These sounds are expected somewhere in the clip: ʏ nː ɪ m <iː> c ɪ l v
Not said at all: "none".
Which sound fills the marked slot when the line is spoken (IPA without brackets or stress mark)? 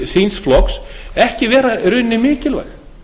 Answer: ɪː